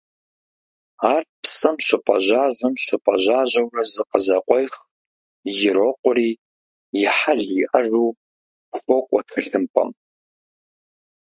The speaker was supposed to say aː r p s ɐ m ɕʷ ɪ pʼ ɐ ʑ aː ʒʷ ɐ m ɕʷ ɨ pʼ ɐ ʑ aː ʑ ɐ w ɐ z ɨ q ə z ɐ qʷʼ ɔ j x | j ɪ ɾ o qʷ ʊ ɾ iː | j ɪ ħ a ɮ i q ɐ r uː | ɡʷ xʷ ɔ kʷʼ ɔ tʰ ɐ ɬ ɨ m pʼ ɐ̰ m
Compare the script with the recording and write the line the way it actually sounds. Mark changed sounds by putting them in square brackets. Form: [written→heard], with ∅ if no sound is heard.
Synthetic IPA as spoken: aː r p s ɐ m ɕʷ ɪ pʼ ɐ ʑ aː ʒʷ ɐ m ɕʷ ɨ pʼ ɐ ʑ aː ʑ ɐ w ɐ z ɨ q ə z ɐ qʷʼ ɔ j x | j ɪ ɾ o qʷ ʊ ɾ iː | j ɪ ħ a ɮ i [q→ʔ] ɐ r uː | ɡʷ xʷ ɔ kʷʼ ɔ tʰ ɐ ɬ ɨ m pʼ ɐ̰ m

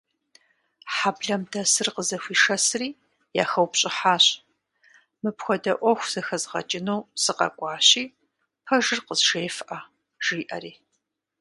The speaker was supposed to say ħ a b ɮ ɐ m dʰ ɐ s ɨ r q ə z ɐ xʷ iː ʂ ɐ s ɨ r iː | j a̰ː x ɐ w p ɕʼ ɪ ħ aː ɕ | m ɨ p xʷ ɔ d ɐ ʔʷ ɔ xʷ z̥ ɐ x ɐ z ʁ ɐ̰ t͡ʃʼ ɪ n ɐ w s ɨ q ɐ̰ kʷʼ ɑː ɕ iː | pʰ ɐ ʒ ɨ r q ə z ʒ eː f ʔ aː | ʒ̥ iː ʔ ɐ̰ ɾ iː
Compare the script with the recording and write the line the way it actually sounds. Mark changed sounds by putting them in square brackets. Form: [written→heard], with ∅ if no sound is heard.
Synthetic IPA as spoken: ħ a b ɮ ɐ m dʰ ɐ s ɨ r q ə z ɐ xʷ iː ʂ ɐ s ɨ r iː | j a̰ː x ɐ w p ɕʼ ɪ ħ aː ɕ | m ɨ p xʷ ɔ d ɐ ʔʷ ɔ xʷ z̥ ɐ x ɐ z ʁ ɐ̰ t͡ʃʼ ɪ n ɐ w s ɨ q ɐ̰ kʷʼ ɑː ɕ iː | pʰ ɐ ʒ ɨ r q ə z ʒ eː f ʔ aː | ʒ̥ iː ʔ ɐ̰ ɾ iː

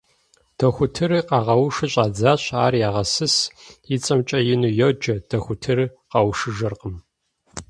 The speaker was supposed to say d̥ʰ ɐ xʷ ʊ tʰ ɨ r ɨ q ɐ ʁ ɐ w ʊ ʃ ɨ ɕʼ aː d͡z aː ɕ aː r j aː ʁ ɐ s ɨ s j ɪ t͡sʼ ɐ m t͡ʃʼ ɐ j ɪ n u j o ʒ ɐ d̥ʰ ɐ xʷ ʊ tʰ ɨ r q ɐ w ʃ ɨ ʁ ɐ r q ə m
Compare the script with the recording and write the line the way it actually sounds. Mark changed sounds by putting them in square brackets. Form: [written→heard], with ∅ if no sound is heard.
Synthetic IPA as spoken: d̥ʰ ɐ xʷ ʊ tʰ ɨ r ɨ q [ɐ→ɑ] ʁ ɐ w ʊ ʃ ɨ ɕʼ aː d͡z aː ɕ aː r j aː ʁ ɐ s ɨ s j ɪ t͡sʼ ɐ m t͡ʃʼ ɐ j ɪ n u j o [ʒ→d͡ʒ] ɐ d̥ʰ ɐ xʷ ʊ tʰ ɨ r q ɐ w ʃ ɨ [ʁ→ʒ] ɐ r q ə m

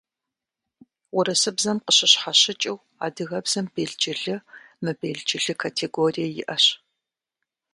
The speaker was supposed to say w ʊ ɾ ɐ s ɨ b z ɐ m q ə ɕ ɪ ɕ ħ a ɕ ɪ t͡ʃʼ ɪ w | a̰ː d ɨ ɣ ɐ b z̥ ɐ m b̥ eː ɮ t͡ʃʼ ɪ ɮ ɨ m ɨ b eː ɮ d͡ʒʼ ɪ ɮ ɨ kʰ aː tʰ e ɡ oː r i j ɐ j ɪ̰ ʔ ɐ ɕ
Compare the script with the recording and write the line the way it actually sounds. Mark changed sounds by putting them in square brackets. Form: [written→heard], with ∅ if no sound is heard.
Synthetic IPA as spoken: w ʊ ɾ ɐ s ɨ b z ɐ m q ə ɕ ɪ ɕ ħ a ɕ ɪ t͡ʃʼ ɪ w | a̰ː d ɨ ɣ ɐ b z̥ ɐ m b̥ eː ɮ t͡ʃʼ ɪ ɮ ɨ m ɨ b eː ɮ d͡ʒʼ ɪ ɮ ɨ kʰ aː tʰ e ɡ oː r i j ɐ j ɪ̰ ʔ ɐ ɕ

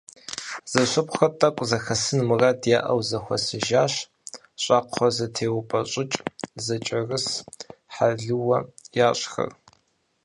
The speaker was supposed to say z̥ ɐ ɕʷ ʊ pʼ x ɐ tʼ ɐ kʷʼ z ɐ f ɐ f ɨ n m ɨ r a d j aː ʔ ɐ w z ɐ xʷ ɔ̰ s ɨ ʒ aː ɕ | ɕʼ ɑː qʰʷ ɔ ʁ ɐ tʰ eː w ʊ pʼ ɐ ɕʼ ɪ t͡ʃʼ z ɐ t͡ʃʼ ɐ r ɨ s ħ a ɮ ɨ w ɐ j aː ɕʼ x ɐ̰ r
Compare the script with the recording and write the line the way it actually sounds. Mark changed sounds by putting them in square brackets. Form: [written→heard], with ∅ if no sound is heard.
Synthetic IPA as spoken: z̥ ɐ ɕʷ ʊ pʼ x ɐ tʼ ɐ kʷʼ z ɐ [f→x] ɐ [f→s] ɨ n m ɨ r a d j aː ʔ ɐ w z ɐ xʷ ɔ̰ s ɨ ʒ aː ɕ | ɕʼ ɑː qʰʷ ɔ [ʁ→z] ɐ tʰ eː w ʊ pʼ ɐ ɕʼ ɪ t͡ʃʼ z ɐ t͡ʃʼ ɐ r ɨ s ħ a ɮ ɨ w ɐ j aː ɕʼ x ɐ̰ r

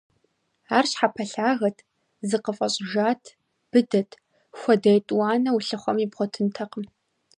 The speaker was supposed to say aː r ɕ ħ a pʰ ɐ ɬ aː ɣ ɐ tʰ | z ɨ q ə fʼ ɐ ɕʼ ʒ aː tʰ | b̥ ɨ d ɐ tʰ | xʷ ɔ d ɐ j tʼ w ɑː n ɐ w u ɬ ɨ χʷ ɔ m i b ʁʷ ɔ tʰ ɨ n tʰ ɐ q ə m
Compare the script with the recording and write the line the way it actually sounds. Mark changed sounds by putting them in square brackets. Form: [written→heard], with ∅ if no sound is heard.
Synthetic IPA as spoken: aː r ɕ ħ a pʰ ɐ ɬ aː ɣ ɐ tʰ | z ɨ q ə fʼ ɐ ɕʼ ʒ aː tʰ | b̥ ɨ d ɐ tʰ | xʷ ɔ d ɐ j tʼ w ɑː n ɐ w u ɬ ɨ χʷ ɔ m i b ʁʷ ɔ tʰ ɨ n tʰ ɐ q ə m

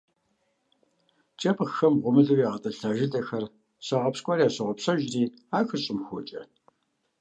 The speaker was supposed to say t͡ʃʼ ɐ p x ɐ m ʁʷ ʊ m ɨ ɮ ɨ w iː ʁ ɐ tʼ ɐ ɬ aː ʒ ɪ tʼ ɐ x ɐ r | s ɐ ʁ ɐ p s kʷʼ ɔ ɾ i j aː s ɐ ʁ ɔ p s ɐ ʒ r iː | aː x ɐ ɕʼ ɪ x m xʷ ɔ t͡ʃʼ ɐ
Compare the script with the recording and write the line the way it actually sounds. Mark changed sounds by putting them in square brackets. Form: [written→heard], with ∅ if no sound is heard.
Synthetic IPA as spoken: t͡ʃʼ ɐ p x ɐ m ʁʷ ʊ m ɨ ɮ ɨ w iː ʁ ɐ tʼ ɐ ɬ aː ʒ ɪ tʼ ɐ x ɐ r | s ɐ ʁ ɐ p s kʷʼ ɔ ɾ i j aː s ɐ ʁ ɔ p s ɐ ʒ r iː | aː x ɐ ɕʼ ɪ [x→∅] m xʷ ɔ t͡ʃʼ ɐ

